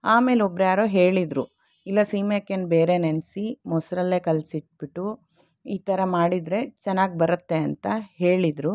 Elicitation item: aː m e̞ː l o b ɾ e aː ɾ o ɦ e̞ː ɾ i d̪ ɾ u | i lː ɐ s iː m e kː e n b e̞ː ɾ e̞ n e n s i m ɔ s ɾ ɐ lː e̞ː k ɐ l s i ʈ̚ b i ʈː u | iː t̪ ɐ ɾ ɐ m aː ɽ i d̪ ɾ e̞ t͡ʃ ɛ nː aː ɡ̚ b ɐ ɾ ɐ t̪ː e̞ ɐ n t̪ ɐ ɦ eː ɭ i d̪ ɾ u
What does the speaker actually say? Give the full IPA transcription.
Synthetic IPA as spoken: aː m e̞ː l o b ɾ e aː ɾ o ɦ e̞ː ɭ i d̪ ɾ u | i lː ɐ s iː m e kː e n b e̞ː ɾ e̞ n e n s i m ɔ s ɾ ɐ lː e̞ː k ɐ l s i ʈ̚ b i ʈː u | iː t̪ ɐ ɾ ɐ m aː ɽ i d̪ ɾ e̞ t͡ʃ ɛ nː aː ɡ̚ b ɐ ɾ ɐ t̪ː e̞ ɐ n t̪ ɐ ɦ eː ɭ i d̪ ɾ u